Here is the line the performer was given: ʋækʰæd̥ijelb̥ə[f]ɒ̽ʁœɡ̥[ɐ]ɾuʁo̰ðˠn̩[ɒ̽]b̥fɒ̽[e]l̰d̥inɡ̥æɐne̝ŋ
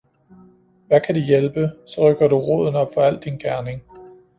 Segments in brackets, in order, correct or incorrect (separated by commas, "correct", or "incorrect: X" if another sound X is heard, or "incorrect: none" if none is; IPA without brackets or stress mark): incorrect: s, correct, correct, incorrect: æ